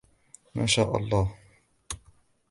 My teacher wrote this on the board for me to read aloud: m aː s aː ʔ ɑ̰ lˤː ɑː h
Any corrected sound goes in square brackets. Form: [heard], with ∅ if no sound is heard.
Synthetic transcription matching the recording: m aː [ʃ] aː ʔ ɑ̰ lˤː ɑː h